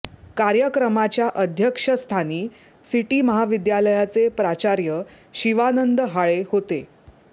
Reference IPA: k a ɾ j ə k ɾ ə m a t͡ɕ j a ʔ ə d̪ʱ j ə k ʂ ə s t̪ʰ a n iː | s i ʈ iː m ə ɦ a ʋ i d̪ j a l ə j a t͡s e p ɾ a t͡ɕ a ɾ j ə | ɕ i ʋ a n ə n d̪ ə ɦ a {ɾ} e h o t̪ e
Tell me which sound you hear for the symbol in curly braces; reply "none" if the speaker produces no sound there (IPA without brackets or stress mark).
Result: ɭ